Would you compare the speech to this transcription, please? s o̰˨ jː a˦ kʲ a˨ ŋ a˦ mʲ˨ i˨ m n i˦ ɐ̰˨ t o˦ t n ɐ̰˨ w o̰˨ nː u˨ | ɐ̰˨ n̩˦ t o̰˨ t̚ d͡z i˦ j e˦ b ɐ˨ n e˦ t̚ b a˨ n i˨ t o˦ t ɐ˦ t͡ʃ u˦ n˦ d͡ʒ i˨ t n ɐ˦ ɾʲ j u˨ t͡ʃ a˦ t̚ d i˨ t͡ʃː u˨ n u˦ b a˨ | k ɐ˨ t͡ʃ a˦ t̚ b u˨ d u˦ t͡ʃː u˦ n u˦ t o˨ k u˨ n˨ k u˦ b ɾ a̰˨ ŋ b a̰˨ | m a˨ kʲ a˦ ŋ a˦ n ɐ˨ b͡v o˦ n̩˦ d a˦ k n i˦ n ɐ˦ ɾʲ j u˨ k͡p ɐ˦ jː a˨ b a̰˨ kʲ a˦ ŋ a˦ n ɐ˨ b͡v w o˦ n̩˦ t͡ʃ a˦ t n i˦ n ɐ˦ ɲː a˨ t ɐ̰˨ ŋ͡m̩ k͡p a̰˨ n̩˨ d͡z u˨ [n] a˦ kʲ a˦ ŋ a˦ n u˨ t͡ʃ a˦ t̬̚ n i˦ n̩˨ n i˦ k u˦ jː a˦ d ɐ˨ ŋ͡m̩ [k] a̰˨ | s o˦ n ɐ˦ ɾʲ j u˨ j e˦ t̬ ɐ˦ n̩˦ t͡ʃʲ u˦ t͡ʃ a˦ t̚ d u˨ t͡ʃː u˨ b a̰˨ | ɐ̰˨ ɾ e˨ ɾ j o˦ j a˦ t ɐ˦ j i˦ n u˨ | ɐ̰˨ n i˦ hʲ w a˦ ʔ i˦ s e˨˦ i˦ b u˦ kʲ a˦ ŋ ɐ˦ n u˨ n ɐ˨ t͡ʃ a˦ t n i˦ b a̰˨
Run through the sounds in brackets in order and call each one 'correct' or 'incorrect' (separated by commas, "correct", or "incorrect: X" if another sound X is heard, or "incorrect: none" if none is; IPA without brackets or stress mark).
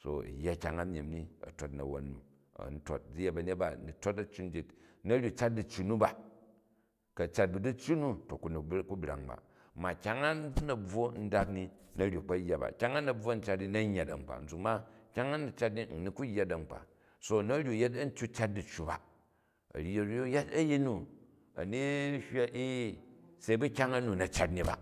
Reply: incorrect: m, incorrect: k͡p